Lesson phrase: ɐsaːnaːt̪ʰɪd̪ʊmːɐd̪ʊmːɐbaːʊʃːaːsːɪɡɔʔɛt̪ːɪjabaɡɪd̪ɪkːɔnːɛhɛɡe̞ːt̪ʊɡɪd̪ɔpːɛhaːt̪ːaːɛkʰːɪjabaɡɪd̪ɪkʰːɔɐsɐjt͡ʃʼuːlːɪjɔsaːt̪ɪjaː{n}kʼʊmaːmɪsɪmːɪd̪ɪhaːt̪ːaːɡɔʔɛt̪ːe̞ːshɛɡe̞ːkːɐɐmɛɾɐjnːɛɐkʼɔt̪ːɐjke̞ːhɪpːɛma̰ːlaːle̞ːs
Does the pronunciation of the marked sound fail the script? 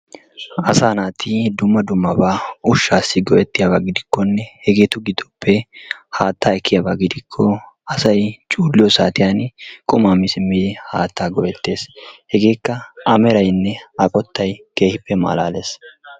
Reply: no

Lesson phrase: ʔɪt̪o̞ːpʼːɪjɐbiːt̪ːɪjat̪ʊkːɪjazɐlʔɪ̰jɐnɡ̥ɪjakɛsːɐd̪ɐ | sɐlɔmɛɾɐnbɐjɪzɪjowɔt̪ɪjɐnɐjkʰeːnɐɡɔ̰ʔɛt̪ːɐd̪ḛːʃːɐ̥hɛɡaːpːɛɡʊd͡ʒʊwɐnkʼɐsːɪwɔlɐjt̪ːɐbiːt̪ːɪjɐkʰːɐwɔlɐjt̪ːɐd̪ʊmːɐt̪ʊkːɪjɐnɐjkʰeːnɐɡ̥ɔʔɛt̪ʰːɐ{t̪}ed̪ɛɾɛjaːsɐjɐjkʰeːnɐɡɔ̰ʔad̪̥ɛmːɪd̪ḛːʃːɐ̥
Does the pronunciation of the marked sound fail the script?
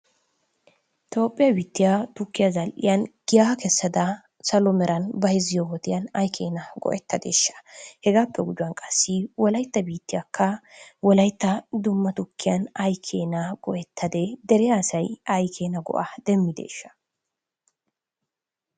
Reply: yes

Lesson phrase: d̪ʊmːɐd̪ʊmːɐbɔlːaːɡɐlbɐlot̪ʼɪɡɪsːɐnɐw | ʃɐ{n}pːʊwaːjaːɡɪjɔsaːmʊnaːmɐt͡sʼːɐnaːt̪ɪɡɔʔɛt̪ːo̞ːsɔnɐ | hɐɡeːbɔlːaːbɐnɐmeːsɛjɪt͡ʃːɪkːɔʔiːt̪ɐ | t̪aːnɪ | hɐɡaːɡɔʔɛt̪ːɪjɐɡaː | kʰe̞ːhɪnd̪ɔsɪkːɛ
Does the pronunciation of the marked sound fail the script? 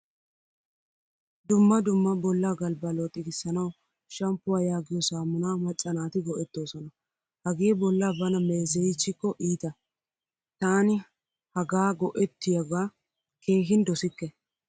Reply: yes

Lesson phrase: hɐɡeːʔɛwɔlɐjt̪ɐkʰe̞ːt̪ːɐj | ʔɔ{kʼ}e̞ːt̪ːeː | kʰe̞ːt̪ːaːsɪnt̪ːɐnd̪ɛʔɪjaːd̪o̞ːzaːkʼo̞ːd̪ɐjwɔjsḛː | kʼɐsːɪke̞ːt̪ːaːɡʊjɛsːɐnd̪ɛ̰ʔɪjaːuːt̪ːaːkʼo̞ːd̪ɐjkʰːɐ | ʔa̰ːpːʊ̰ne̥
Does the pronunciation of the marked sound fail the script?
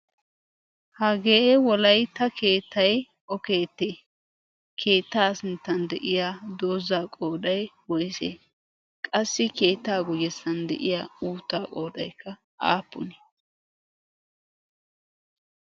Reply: yes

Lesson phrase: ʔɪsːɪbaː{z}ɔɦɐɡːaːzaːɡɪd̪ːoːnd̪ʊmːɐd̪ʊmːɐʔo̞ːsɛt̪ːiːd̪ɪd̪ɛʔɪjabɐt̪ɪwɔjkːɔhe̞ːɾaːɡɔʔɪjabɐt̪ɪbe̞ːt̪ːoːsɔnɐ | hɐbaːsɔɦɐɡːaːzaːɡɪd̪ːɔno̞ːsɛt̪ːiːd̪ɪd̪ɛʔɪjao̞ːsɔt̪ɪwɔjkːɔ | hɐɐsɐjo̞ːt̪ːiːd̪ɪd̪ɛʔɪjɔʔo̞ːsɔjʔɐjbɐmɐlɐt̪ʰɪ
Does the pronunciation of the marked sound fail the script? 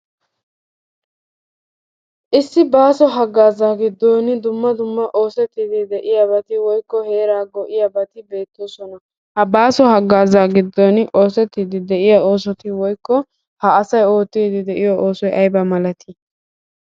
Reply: yes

